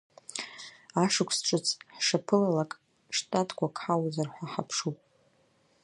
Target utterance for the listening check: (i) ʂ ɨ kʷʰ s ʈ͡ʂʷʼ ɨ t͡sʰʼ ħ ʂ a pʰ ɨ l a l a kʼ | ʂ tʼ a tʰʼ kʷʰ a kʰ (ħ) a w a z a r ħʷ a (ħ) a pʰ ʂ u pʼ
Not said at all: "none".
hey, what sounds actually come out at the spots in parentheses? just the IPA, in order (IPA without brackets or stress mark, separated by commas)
a, ħ, ħ